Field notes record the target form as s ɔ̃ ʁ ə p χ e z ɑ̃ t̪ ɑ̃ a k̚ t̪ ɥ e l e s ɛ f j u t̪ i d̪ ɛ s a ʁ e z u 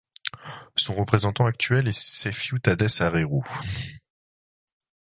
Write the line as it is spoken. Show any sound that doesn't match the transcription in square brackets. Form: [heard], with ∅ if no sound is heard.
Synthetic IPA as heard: s ɔ̃ ʁ ə p χ e z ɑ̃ t̪ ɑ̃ a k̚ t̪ ɥ [ɛ] l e s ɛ f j u t̪ [a] d̪ ɛ s a ʁ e [ʁ] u